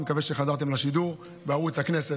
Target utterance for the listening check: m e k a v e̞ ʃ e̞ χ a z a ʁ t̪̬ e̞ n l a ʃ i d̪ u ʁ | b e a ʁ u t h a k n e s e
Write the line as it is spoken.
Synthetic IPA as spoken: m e k a v e̞ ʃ e̞ χ a z a ʁ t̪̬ e̞ m l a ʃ i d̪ u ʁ | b e a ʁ u t͡s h a k n e s e